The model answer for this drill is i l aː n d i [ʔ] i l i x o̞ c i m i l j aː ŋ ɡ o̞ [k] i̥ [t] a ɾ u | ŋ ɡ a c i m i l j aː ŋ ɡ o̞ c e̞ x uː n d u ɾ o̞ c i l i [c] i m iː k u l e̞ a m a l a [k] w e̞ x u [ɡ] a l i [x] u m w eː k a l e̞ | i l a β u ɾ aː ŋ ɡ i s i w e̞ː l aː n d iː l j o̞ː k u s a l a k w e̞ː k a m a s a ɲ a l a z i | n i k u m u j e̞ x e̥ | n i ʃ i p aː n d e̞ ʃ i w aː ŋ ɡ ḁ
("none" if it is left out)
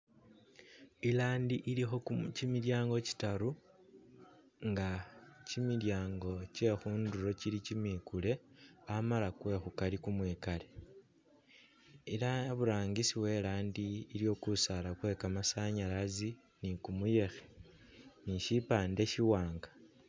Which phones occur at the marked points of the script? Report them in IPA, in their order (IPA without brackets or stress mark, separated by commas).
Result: ʔ, c, t, c, k, k, k